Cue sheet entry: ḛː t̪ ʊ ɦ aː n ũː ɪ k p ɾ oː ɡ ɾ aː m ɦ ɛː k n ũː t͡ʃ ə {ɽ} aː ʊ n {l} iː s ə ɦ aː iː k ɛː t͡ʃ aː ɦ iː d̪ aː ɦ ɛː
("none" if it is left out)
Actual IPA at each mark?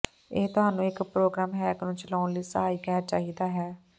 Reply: l, l

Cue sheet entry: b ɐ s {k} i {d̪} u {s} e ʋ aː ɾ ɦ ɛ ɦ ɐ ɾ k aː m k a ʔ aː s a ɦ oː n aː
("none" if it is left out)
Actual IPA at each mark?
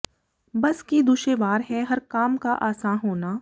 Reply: k, d̪, ʃ

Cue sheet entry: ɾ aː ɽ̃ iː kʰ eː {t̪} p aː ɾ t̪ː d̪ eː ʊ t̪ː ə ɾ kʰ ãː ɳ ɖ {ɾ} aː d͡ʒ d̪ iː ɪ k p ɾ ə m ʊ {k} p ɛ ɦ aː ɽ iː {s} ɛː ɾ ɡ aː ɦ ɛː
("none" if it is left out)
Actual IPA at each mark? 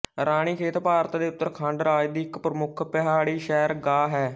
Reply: t̪, ɾ, kʰ, ʃ

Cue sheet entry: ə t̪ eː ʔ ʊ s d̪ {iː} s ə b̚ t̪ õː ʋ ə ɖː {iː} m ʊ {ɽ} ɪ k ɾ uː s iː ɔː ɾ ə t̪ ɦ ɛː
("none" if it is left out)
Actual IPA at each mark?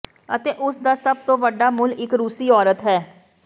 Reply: aː, aː, l

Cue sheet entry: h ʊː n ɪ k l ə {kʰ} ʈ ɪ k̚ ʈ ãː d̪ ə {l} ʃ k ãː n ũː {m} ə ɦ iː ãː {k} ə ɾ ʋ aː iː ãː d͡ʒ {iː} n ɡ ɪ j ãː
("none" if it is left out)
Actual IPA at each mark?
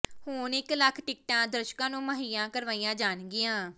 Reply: kʰ, ɾ, m, k, aː

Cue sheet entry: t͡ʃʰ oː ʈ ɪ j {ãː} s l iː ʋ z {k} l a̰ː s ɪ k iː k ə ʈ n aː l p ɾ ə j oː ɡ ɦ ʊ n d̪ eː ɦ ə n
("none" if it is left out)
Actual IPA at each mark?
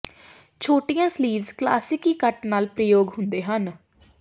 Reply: ãː, k

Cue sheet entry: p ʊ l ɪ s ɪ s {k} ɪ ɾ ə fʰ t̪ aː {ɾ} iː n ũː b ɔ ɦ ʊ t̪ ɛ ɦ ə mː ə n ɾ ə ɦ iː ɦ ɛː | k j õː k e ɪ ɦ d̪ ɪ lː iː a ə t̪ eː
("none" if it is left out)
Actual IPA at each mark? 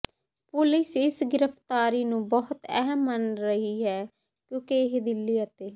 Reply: ɡ, ɾ

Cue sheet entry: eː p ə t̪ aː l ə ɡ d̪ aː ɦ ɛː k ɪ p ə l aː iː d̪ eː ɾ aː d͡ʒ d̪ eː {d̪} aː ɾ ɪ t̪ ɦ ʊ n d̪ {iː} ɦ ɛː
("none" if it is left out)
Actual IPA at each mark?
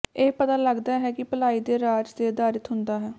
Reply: d̪, aː

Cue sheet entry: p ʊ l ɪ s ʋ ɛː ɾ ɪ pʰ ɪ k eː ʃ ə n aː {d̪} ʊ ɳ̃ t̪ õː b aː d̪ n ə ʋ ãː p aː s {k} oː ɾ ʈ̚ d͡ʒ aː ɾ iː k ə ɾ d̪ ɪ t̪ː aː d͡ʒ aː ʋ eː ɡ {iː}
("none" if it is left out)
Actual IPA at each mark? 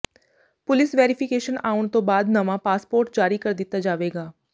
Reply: none, p, aː

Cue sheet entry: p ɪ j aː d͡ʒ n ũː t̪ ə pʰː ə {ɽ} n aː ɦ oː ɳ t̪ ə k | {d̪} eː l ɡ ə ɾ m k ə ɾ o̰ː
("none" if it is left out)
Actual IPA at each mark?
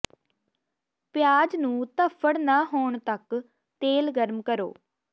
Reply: ɽ, t̪

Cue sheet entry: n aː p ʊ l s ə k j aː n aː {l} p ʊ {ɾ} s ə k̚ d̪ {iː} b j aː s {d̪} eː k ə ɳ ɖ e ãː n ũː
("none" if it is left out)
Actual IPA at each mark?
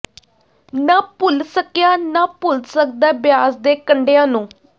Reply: none, l, aː, d̪

